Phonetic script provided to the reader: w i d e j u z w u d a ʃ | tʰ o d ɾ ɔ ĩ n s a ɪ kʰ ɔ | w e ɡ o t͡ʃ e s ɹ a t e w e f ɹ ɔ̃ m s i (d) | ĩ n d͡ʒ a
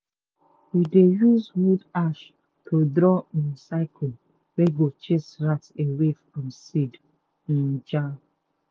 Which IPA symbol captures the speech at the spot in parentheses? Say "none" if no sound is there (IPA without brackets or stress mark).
d